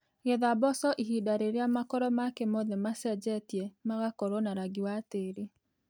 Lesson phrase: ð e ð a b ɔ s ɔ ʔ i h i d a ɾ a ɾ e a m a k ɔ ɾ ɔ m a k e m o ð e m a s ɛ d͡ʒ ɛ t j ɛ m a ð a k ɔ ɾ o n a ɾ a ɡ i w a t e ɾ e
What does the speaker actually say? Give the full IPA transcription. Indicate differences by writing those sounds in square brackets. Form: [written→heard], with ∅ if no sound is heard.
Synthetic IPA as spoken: [ð→ɣ] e ð a b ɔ s ɔ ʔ i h i d a ɾ [a→e] ɾ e a m a k ɔ ɾ ɔ m a k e m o ð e m a s ɛ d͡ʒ ɛ t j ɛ m a [ð→ɣ] a k ɔ ɾ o n a ɾ a ɡ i w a t e ɾ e